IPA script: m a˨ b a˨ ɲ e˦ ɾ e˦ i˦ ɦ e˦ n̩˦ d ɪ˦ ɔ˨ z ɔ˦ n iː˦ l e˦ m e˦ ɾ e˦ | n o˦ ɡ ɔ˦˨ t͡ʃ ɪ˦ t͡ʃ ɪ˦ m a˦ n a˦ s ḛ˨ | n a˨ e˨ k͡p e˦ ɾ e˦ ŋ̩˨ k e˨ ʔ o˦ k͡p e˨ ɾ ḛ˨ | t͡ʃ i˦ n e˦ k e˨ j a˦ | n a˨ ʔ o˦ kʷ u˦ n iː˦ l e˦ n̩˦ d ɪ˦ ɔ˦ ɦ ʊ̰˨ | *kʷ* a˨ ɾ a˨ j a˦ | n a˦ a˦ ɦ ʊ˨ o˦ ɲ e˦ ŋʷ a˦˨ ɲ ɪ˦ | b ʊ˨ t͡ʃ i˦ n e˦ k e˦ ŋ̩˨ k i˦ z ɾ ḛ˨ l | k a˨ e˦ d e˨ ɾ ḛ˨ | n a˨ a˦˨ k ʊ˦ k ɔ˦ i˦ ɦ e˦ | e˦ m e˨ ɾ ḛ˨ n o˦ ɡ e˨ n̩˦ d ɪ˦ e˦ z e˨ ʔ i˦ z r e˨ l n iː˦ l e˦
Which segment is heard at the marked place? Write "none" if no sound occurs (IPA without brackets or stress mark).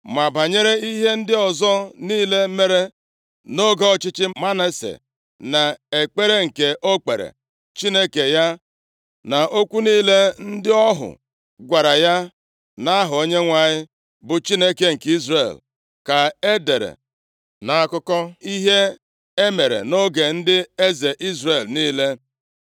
ɡʷ